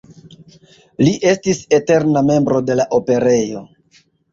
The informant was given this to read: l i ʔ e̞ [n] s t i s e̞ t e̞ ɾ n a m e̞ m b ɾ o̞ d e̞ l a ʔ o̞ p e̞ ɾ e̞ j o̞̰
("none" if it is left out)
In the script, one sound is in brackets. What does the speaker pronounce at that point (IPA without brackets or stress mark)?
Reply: none